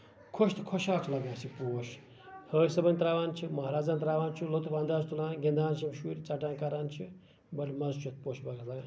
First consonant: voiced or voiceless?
voiceless